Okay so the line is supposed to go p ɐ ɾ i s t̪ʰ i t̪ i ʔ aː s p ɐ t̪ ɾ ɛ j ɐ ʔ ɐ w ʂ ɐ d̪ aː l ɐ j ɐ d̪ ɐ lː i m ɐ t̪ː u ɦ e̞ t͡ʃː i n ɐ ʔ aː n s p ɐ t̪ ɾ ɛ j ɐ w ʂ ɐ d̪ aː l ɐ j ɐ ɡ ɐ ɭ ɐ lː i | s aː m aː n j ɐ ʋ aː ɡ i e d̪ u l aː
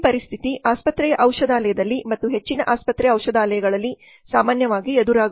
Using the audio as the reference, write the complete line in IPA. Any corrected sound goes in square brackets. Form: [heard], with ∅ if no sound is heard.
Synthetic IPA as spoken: p ɐ ɾ i s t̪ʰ i t̪ i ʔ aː s p ɐ t̪ ɾ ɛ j ɐ ʔ ɐ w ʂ ɐ d̪ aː l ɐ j ɐ d̪ ɐ lː i m ɐ t̪ː u ɦ e̞ t͡ʃː i n ɐ ʔ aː [∅] s p ɐ t̪ ɾ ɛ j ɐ w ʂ ɐ d̪ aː l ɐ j ɐ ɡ ɐ ɭ ɐ lː i | s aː m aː n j ɐ ʋ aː ɡ i e d̪ u [ɾ] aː